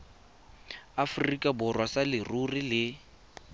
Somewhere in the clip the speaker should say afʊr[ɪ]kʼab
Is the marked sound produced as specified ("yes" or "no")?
no